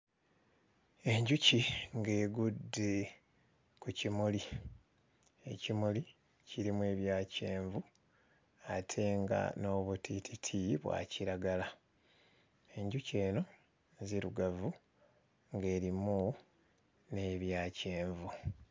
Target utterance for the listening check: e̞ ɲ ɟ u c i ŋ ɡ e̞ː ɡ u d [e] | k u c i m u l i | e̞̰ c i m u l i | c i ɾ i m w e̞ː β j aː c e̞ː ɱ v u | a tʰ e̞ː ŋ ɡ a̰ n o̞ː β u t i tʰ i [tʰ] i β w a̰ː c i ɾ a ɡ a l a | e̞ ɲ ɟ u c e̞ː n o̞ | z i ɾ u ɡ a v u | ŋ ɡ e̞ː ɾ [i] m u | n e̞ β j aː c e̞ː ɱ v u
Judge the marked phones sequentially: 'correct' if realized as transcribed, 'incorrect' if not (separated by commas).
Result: correct, correct, correct